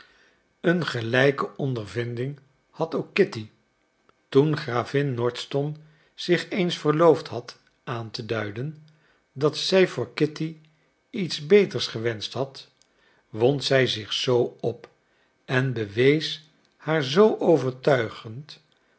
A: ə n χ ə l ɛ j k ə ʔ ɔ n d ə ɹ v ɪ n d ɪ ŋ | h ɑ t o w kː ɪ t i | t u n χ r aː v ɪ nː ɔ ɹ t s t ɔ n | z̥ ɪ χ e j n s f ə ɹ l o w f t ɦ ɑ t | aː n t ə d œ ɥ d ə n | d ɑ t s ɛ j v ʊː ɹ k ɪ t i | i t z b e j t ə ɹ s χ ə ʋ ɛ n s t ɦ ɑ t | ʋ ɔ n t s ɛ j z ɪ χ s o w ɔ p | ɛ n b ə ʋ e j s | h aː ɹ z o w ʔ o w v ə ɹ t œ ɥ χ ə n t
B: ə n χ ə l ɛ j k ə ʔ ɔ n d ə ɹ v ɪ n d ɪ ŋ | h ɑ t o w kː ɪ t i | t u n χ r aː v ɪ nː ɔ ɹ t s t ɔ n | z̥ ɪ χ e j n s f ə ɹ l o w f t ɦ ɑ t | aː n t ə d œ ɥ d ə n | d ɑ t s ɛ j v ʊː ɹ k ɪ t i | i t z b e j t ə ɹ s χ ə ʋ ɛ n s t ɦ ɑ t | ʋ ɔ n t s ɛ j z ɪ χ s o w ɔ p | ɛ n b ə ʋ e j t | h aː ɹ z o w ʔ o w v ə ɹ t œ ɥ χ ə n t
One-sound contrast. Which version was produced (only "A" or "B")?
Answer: A